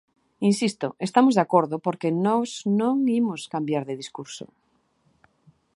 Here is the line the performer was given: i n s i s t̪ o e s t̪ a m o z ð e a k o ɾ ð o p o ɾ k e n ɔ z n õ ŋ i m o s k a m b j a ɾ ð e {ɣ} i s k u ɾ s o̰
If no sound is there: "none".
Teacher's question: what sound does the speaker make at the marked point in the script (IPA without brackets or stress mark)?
ð